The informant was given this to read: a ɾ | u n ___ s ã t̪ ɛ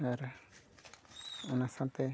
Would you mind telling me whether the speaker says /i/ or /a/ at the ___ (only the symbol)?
a